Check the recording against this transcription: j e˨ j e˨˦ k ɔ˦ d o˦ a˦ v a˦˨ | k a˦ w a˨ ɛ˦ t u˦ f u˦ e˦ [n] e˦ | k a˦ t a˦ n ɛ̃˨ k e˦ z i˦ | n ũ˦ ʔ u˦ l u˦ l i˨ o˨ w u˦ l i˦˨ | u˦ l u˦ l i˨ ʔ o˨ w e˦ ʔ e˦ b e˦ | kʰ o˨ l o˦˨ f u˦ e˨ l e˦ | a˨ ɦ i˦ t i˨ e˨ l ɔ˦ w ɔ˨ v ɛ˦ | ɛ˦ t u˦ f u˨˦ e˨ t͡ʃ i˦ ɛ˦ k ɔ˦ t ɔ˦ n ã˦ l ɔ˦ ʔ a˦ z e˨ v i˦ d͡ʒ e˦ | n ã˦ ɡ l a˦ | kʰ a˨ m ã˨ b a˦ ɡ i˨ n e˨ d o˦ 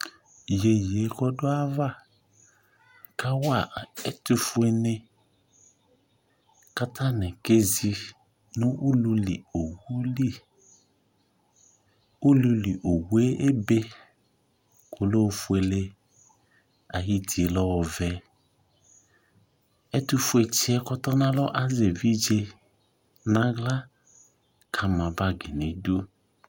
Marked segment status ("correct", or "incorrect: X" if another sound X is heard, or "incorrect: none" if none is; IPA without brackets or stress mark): correct